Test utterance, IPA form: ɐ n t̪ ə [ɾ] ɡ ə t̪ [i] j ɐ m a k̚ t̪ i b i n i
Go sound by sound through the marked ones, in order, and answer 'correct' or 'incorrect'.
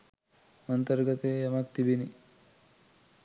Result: correct, incorrect: e

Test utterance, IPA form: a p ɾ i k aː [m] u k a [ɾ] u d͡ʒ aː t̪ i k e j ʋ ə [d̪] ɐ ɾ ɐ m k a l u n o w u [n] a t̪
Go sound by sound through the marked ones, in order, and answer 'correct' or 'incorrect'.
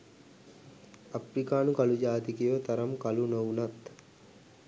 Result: incorrect: n, incorrect: l, incorrect: t̪, correct

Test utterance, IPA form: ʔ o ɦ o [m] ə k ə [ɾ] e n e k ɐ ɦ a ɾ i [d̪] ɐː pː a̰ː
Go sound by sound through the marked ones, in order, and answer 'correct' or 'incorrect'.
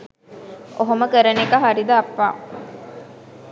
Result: correct, correct, correct

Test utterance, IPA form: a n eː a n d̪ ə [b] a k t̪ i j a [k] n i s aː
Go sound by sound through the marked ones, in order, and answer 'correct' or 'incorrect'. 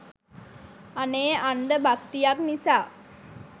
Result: correct, correct

